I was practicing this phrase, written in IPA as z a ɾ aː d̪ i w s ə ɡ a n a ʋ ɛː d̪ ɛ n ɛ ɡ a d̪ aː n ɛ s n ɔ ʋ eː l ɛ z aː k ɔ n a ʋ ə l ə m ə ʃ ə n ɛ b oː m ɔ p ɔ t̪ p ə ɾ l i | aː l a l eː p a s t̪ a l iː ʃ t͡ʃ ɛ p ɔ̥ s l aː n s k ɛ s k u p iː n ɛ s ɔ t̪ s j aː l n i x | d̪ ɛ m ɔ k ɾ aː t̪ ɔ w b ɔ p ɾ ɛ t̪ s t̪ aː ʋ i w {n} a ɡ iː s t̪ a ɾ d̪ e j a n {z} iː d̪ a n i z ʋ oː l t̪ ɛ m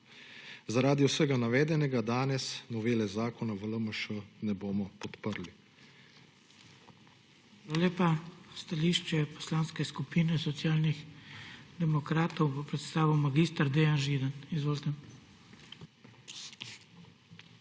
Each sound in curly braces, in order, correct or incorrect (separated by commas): incorrect, incorrect